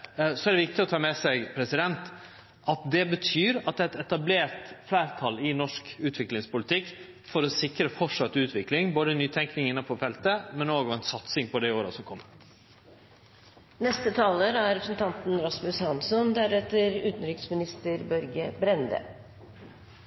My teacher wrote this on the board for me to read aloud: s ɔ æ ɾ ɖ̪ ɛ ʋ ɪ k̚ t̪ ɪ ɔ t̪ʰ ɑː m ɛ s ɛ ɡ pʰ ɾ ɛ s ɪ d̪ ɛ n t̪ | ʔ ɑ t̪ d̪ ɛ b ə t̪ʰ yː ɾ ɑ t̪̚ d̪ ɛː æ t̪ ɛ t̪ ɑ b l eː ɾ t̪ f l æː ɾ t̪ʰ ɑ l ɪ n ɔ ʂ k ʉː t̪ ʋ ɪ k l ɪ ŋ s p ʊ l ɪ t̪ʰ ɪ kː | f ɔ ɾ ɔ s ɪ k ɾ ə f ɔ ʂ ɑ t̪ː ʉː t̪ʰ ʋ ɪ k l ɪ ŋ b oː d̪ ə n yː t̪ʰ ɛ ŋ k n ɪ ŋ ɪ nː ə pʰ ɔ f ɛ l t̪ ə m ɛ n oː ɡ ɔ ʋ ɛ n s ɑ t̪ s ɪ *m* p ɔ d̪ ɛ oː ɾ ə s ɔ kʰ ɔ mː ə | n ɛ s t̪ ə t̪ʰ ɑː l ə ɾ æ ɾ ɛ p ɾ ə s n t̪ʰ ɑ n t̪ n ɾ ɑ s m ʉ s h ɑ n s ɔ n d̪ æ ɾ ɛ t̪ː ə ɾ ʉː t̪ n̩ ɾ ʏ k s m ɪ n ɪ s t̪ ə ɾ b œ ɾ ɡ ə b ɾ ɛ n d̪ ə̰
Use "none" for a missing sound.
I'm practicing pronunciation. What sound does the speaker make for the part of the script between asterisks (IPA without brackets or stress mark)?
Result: ŋ